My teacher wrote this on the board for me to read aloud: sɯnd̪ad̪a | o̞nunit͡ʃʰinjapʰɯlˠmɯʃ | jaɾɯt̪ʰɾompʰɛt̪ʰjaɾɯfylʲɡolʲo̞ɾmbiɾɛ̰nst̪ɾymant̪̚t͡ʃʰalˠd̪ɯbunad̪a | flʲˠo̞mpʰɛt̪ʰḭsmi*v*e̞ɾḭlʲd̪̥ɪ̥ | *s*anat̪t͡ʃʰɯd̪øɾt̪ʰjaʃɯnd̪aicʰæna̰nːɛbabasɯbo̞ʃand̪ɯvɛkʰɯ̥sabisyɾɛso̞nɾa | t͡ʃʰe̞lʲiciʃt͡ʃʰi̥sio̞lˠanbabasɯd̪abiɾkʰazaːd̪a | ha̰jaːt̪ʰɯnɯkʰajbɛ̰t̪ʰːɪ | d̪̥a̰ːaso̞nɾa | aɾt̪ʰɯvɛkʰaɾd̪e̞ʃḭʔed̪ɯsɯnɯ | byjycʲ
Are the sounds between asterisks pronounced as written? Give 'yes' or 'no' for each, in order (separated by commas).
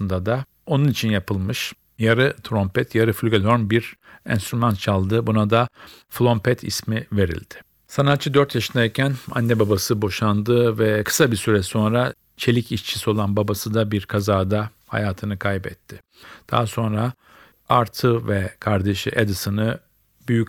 yes, yes